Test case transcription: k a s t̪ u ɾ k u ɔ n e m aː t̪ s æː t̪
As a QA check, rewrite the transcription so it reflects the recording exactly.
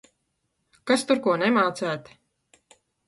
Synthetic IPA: k a s t̪ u ɾ k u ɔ n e m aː t̪ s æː t̪